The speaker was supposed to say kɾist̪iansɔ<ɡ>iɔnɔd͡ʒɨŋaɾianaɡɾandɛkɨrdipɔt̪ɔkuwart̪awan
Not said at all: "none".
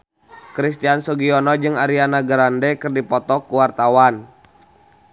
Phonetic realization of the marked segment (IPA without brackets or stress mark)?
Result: ɡ